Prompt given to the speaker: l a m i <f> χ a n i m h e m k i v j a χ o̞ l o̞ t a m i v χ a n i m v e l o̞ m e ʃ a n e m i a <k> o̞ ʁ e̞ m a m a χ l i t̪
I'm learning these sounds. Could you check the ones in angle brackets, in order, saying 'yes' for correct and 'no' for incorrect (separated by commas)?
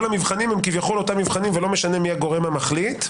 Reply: no, no